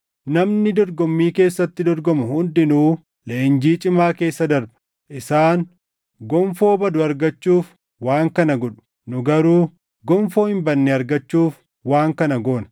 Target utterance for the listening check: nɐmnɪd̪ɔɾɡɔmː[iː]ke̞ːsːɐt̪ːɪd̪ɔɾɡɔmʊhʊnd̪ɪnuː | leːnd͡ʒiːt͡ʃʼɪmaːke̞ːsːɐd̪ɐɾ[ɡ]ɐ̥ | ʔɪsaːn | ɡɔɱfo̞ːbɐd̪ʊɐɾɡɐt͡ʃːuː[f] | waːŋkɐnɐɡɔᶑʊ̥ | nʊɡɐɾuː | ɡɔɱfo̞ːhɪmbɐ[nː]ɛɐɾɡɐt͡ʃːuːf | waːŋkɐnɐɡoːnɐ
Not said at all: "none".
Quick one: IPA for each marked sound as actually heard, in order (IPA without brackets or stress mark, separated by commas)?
iː, b, f, nː